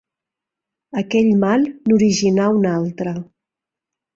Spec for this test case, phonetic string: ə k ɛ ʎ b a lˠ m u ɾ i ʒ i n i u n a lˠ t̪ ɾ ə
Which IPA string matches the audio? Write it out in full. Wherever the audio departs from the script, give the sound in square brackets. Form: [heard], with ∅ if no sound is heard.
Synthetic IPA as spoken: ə k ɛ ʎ [m] a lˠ [n] u ɾ i ʒ i n [a] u n a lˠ t̪ ɾ ə